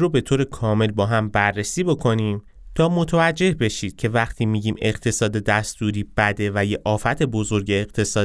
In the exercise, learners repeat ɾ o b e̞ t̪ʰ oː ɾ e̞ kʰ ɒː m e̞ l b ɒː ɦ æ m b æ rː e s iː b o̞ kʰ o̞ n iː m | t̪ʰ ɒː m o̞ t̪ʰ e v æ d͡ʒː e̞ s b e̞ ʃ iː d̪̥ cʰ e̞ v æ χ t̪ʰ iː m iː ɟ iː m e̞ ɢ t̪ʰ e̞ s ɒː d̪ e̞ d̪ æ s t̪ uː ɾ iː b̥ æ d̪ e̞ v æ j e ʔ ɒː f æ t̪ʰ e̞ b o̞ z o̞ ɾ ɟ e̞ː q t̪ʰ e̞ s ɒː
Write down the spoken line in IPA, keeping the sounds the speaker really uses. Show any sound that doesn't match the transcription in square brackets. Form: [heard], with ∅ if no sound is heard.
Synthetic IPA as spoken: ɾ o b e̞ t̪ʰ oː ɾ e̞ kʰ ɒː m e̞ l b ɒː ɦ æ m b æ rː e s iː b o̞ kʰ o̞ n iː m | t̪ʰ ɒː m o̞ t̪ʰ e v æ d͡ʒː e̞ [h] b e̞ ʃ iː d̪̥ cʰ e̞ v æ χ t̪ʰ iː m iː ɟ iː m e̞ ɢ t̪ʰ e̞ s ɒː d̪ e̞ d̪ æ s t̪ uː ɾ iː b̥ æ d̪ e̞ v æ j e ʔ ɒː f æ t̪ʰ e̞ b o̞ z o̞ ɾ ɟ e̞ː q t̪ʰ e̞ s ɒː